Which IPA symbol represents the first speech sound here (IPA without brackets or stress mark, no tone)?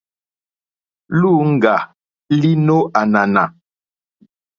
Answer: l